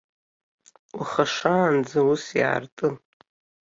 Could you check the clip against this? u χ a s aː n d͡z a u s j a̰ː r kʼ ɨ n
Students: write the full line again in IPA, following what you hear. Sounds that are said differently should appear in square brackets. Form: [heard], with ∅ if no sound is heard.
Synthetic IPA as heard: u χ a [ʂ] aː n d͡z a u s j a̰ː r [tʼ] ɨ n